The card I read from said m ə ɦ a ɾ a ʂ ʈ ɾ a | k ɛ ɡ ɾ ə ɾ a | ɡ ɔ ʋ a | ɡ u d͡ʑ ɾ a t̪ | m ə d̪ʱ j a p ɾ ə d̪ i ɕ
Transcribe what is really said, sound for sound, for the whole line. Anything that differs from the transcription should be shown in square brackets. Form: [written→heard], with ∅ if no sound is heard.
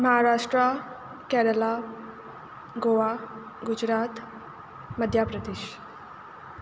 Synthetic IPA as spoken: m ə ɦ a ɾ a ʂ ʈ ɾ a | k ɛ [ɡ→∅] ɾ ə [ɾ→l] a | ɡ [ɔ→o] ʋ a | ɡ u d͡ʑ ɾ a t̪ | m ə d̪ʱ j a p ɾ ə d̪ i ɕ